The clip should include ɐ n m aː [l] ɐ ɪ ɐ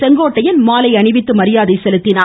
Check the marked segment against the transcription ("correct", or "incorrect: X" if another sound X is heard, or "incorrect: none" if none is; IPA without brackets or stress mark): correct